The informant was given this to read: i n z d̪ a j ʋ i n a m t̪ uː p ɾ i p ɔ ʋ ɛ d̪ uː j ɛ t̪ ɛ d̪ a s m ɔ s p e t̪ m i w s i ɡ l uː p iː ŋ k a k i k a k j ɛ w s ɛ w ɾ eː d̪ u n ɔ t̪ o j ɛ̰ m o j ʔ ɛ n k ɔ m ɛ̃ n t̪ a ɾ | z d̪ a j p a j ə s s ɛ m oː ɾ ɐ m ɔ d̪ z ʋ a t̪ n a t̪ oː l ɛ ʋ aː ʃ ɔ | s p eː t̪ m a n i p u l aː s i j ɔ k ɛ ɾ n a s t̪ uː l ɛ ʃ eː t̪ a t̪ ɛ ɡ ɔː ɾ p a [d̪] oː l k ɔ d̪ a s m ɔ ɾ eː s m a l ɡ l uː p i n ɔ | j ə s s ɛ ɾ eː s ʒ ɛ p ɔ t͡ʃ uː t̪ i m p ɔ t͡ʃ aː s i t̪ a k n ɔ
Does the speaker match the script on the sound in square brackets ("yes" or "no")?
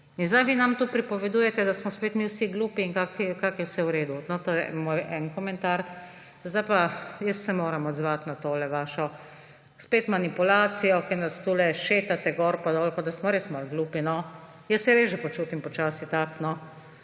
yes